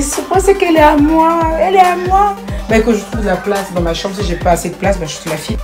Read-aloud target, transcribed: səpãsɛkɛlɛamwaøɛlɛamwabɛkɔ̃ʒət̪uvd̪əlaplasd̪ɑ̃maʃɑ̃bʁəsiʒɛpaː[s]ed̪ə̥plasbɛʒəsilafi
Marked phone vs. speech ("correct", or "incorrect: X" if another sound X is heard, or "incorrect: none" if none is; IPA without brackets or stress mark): correct